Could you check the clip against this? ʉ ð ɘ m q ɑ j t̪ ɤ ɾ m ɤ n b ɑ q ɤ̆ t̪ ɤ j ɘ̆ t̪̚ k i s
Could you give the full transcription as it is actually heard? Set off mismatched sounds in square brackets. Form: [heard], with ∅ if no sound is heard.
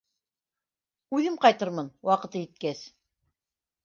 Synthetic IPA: ʉ ð ɘ m q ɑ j t̪ ɤ ɾ m ɤ n [w] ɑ q ɤ̆ t̪ ɤ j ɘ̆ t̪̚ k [æ] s